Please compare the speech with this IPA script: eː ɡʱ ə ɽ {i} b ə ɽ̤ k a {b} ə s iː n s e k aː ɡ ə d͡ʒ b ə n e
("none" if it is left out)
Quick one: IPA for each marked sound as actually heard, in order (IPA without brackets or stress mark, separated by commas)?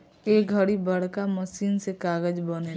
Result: i, m